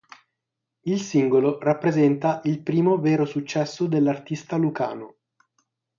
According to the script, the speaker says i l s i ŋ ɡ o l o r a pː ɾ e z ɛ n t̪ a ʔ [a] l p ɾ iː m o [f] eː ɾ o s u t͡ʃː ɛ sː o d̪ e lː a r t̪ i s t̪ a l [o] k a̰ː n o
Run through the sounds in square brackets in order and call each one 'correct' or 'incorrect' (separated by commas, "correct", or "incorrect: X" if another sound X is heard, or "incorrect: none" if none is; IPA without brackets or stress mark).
incorrect: i, incorrect: v, incorrect: u